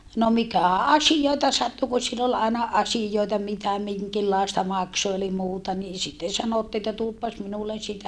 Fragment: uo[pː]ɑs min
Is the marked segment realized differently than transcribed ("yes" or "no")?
no